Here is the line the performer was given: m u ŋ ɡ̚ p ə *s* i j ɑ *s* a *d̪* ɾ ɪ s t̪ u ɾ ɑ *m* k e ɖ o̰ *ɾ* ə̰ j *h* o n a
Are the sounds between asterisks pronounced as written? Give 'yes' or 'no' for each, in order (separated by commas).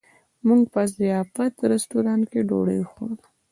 no, no, no, no, no, no